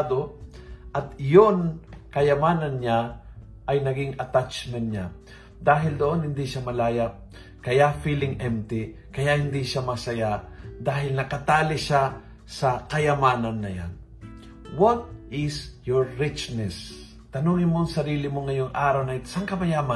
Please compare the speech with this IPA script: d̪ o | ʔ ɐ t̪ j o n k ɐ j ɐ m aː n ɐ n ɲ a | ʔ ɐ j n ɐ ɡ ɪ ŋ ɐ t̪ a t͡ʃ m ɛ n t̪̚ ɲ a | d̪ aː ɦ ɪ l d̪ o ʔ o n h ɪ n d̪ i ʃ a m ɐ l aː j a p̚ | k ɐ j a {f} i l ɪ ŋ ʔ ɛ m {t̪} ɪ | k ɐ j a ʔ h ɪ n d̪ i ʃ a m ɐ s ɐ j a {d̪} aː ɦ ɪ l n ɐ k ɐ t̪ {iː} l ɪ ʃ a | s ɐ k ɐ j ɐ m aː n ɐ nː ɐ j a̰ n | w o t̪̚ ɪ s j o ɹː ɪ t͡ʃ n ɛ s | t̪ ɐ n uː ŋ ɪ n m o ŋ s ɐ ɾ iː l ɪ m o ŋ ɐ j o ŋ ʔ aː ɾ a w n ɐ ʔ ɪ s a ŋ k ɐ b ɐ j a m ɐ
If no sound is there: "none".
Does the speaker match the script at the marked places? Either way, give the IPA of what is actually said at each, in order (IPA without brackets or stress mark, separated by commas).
f, t̪, d̪, aː